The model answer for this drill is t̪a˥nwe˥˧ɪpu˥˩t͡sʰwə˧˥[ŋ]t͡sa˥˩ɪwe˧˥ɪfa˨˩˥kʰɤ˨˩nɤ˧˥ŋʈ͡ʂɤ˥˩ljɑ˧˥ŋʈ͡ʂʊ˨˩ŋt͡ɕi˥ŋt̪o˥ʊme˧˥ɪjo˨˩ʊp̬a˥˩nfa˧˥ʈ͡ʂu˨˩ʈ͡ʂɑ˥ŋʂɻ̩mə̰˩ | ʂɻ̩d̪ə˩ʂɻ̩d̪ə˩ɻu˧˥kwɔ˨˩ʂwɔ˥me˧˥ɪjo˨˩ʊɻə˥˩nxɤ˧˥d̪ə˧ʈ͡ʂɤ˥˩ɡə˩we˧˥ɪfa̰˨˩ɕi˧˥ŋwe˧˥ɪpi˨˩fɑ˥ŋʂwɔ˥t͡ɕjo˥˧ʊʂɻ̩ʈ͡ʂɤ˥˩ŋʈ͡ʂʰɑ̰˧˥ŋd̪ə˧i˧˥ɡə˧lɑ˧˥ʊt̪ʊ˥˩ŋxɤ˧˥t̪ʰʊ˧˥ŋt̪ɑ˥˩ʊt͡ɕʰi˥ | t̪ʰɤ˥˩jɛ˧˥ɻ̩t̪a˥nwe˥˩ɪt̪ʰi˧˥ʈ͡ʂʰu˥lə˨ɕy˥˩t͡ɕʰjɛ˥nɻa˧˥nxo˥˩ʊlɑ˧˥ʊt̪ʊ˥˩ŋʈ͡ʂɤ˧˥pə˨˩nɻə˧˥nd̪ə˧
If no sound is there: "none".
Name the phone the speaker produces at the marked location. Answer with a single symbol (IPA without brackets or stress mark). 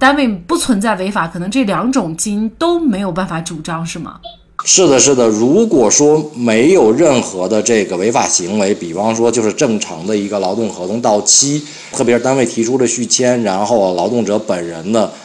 n